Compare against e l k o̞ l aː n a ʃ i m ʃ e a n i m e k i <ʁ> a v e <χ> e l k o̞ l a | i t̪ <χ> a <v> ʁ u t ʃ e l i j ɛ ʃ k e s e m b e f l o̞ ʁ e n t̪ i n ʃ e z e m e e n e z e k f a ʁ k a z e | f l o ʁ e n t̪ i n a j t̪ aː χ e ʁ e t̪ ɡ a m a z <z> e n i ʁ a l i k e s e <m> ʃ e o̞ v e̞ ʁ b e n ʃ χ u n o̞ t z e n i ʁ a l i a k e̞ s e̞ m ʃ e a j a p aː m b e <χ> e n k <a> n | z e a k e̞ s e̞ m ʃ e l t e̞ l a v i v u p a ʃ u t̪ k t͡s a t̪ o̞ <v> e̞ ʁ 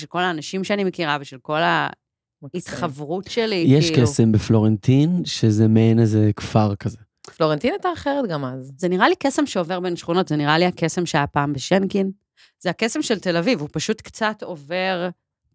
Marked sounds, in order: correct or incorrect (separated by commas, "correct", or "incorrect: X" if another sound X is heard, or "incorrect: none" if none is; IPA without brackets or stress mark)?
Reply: correct, incorrect: ʃ, correct, correct, correct, correct, incorrect: ʃ, incorrect: i, correct